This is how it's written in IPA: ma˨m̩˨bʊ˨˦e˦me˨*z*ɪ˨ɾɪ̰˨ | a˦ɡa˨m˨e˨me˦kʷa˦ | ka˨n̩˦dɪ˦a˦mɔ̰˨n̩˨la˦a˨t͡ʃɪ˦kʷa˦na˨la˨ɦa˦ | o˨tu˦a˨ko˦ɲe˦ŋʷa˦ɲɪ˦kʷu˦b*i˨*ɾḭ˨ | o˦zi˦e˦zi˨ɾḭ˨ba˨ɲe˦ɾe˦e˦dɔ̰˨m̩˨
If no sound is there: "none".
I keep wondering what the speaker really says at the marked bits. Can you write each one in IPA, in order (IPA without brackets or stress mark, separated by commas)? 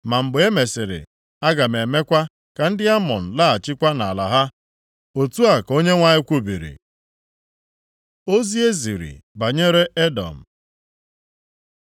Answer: s, i˨